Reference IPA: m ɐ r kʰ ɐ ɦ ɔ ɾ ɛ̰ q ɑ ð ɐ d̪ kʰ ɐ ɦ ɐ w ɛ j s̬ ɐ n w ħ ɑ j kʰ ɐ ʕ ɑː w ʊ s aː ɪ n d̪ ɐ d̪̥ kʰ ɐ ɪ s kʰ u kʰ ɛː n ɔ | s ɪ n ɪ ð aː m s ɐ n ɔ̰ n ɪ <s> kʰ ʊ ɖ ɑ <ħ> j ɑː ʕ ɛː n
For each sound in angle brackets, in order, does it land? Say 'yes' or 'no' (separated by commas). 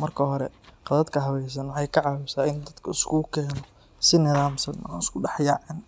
yes, yes